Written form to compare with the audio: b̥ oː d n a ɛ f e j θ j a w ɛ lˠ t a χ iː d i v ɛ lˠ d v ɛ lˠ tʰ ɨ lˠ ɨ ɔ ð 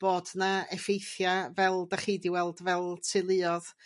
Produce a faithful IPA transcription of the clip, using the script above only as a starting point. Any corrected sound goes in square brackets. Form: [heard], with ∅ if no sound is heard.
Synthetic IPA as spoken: b̥ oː d n a ɛ f e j θ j a [v] ɛ lˠ [d] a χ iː d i [w] ɛ lˠ d v ɛ lˠ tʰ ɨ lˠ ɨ ɔ ð